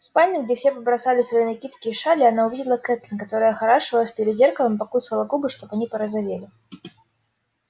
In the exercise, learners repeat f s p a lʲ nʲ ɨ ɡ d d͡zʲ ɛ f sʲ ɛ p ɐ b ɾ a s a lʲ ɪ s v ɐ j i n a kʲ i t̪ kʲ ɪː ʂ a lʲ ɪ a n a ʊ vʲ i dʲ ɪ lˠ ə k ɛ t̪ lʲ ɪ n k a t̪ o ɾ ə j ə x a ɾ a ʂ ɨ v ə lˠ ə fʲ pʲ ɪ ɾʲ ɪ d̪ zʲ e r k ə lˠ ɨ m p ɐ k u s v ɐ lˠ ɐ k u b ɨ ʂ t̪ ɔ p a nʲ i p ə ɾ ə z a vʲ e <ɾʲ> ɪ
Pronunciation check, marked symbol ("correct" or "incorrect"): incorrect